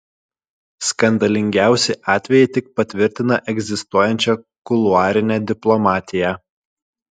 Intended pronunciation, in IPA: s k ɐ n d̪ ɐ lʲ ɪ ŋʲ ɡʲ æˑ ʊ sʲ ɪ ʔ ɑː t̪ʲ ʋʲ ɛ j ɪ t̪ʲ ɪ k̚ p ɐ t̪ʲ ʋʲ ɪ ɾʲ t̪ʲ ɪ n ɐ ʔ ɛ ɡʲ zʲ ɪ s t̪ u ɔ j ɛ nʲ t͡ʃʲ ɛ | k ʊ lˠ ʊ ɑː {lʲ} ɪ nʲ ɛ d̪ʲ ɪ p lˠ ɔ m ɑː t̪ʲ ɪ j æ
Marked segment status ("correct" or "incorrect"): incorrect